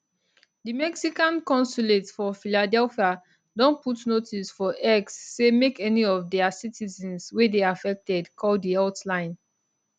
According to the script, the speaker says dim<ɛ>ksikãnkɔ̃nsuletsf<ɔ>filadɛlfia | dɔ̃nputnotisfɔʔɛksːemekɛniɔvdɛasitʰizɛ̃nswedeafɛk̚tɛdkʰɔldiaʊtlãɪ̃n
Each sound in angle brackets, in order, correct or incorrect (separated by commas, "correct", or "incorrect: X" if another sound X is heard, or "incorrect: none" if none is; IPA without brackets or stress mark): correct, correct